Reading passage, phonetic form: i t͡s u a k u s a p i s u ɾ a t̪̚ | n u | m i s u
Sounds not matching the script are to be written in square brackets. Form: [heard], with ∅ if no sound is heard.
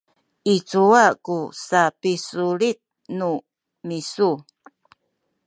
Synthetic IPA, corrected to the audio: i t͡s u a k u s a p i s u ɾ [i] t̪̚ | n u | m i s u